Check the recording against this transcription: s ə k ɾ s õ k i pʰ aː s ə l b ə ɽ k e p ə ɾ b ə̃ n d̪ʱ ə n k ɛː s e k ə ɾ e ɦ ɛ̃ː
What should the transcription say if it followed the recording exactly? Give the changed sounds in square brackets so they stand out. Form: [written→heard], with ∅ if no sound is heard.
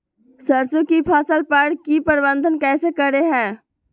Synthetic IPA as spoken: s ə [k→∅] ɾ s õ k i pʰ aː s ə l [b→p] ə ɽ k [e→i] p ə ɾ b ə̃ n d̪ʱ ə n k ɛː s e k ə ɾ e ɦ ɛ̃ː